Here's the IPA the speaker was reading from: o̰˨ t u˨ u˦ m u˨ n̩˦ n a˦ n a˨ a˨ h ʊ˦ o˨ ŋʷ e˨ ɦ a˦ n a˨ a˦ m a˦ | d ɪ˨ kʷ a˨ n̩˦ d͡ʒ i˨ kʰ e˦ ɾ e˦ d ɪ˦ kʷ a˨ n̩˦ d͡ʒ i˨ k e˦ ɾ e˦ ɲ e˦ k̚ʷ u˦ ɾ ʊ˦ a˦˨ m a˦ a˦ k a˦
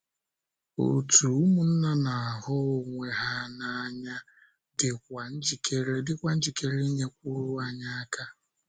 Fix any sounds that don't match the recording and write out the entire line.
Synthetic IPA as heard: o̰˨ t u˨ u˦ m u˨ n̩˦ n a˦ n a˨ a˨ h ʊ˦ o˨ ŋʷ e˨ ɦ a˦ n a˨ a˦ ɲ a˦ | d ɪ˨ kʷ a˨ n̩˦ d͡ʒ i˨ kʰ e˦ ɾ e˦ d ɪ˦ kʷ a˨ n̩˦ d͡ʒ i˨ k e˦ ɾ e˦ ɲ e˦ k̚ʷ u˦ ɾ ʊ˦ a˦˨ ɲ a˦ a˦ k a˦

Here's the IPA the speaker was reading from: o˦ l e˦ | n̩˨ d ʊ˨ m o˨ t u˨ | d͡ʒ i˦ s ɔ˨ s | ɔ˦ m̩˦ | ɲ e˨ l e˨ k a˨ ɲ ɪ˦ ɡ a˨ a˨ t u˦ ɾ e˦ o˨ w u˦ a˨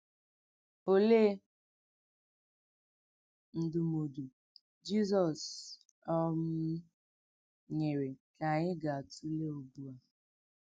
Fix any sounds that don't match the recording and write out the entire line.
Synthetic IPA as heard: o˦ l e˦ | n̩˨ d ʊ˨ m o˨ d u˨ | d͡ʒ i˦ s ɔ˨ s | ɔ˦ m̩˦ | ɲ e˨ ɾ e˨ k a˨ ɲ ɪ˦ ɡ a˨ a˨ t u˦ l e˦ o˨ b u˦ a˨

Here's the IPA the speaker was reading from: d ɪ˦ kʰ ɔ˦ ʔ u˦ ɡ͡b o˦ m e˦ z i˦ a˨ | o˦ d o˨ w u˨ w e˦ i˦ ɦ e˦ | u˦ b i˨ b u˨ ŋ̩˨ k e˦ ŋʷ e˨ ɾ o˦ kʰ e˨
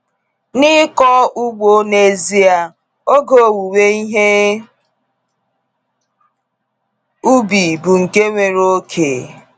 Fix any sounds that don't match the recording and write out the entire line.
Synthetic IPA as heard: n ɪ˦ k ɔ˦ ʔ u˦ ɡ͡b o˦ n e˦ z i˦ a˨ | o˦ ɡ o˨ w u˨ w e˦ i˦ ɦ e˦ | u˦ b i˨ b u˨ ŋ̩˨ k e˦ ŋʷ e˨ ɾ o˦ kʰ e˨

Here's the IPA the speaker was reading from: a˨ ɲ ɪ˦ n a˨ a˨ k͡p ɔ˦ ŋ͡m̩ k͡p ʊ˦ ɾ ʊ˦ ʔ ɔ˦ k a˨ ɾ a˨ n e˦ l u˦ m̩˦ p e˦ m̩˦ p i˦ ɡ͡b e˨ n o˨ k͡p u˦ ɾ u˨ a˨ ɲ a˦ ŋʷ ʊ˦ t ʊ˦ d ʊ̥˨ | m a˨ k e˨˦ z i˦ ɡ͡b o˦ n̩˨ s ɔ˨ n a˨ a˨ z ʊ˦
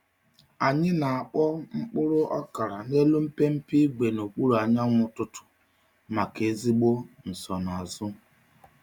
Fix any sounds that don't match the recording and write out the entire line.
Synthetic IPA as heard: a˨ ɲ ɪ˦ n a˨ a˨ k͡p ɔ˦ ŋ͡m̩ k͡p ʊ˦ ɾ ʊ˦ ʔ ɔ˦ k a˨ ɾ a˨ n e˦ l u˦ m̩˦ p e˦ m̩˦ p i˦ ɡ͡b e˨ n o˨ k͡p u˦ ɾ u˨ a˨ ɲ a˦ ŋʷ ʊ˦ t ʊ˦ t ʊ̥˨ | m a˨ k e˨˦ z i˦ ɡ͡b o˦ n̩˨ s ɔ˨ n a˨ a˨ z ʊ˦

